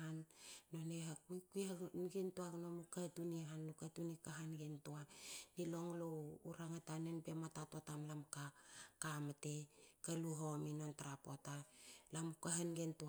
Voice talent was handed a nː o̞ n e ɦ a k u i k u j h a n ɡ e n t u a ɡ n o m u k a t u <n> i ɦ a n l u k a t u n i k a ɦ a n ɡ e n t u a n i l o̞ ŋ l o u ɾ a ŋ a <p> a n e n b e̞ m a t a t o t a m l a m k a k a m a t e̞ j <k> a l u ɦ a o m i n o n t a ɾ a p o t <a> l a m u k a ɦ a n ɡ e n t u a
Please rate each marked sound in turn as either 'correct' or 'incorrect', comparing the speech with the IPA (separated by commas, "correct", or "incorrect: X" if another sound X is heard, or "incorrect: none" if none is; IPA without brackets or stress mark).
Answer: correct, incorrect: t, correct, correct